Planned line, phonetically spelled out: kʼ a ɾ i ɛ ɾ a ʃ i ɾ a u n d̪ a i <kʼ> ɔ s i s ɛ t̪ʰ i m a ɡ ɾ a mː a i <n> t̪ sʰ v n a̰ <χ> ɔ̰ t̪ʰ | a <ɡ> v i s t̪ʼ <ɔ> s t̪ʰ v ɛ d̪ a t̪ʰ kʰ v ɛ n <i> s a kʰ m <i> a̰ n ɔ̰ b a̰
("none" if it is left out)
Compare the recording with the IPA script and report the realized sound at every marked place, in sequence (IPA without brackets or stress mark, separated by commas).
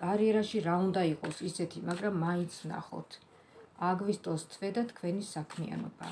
qʼ, n, χ, ɡ, ɔ, i, i